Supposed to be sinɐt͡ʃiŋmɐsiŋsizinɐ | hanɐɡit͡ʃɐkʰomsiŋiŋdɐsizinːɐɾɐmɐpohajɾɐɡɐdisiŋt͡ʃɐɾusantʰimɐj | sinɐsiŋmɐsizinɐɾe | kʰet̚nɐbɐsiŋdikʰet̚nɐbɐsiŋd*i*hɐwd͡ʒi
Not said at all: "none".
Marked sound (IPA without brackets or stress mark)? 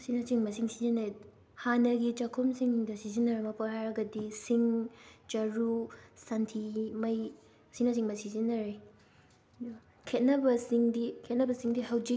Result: i